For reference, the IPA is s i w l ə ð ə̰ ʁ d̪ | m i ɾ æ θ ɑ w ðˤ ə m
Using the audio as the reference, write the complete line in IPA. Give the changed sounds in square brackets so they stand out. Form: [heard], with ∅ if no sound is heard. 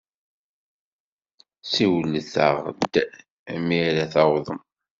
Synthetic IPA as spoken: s i w l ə [θ] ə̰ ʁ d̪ | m i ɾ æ θ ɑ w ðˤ ə m